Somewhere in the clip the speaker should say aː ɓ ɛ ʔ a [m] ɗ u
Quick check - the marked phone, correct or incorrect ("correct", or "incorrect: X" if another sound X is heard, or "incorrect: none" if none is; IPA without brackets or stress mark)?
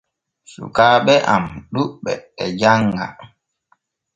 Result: correct